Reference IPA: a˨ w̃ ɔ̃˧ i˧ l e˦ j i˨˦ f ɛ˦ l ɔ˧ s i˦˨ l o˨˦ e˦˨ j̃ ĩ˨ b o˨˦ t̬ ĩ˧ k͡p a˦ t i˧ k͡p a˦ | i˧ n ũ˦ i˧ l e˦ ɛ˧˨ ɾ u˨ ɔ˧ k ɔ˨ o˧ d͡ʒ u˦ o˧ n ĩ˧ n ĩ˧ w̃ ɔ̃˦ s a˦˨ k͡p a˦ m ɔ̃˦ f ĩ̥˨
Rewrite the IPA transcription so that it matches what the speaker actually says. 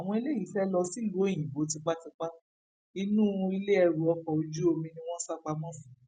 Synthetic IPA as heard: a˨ w̃ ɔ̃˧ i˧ l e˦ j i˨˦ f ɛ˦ l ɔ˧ s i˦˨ l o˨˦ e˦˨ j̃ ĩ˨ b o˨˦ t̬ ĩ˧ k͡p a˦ t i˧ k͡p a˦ | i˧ n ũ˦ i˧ l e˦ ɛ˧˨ ɾ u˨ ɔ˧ k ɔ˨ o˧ d͡ʒ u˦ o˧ m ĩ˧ n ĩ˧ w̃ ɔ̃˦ s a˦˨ k͡p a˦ m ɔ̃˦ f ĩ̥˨